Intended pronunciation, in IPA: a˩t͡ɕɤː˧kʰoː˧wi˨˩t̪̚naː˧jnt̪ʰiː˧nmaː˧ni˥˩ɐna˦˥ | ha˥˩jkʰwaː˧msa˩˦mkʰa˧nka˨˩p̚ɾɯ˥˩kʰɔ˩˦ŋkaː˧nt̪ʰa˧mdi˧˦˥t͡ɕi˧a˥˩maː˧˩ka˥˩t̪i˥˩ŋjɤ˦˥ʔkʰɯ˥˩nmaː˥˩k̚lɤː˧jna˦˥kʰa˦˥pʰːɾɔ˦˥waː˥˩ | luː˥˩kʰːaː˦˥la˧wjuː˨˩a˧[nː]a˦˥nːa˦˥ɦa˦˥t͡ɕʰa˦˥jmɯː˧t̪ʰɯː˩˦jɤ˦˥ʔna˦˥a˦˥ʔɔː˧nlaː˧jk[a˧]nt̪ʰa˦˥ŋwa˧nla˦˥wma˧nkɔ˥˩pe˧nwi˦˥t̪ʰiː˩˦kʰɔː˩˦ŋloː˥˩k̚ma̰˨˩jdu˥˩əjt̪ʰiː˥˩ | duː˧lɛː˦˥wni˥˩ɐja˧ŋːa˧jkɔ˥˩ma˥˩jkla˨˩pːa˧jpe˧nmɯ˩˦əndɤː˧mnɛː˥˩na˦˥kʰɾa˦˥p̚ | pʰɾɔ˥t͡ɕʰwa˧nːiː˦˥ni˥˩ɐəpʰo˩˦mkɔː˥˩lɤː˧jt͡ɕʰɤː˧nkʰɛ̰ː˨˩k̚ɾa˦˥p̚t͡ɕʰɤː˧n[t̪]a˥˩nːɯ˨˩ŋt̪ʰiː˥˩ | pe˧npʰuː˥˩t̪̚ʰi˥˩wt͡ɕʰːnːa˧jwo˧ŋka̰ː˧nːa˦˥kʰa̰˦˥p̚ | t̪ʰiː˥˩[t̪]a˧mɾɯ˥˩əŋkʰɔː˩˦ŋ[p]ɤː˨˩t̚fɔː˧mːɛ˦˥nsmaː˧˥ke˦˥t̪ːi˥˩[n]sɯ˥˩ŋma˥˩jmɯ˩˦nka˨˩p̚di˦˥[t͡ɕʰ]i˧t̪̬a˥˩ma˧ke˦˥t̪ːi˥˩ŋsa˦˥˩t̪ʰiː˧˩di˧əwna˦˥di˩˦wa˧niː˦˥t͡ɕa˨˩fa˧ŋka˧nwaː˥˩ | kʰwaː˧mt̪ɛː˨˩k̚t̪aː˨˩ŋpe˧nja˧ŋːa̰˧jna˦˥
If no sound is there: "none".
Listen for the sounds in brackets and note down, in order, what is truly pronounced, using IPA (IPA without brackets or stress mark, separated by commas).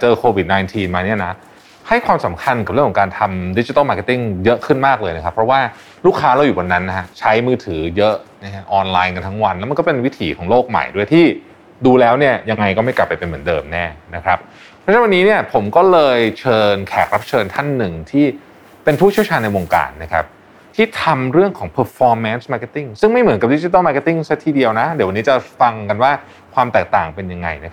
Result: nː, a˧, t̪ʰ, t̪ʰ, pʰ, ŋ, t͡ɕ